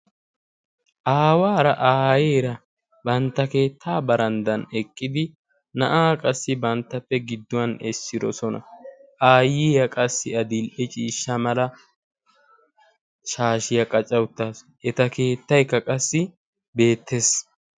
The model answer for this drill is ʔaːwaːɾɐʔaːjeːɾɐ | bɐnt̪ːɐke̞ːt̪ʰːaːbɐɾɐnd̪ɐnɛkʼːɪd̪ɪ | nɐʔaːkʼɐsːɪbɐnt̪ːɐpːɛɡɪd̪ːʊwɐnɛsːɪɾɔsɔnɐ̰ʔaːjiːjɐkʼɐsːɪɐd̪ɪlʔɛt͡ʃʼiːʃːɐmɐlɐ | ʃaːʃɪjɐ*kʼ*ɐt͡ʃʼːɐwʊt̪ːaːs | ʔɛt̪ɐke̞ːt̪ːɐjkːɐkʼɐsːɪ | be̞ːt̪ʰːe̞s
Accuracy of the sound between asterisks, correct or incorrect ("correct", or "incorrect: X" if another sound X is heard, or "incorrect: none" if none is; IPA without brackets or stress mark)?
correct